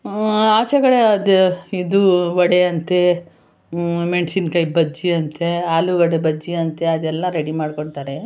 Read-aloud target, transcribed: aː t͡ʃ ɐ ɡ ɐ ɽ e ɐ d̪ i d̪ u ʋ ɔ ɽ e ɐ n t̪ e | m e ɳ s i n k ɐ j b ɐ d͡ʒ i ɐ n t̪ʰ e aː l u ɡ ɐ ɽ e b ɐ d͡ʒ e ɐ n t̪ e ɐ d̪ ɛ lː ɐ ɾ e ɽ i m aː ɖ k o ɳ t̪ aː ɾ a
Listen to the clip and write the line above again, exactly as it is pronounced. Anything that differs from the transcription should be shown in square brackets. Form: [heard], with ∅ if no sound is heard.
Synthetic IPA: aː t͡ʃ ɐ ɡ ɐ ɽ e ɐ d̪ i d̪ u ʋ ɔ ɽ e ɐ n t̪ e | m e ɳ s i n k ɐ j b ɐ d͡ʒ i ɐ n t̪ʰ e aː l u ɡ ɐ ɽ e b ɐ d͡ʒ [i] ɐ n t̪ e ɐ d̪ ɛ lː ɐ ɾ e ɽ i m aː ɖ k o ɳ t̪ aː ɾ [e]